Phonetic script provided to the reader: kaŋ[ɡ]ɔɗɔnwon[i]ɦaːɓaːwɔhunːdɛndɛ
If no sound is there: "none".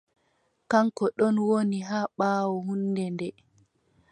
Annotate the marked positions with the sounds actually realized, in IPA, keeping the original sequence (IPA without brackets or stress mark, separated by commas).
k, i